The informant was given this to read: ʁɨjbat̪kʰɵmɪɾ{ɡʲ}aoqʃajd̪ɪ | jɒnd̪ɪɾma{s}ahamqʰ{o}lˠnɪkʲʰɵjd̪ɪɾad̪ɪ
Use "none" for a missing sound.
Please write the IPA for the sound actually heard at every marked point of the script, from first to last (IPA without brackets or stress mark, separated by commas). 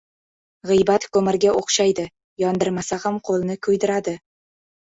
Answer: ɡʲ, s, o